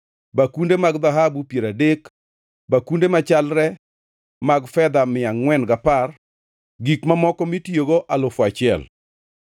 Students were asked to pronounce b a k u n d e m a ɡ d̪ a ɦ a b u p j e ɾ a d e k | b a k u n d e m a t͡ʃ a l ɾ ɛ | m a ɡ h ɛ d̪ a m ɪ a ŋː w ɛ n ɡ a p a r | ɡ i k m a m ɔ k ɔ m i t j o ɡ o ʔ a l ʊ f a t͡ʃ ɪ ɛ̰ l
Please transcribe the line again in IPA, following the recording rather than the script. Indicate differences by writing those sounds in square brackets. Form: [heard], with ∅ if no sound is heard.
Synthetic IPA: b a k u n d e m a ɡ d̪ a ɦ a b u p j e ɾ a d e k | b a k u n d e m a t͡ʃ a l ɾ ɛ | m a ɡ [f] ɛ d̪ a m ɪ a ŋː w ɛ n ɡ a p a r | ɡ i k m a m ɔ k ɔ m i t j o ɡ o ʔ a l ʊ f a t͡ʃ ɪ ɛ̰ l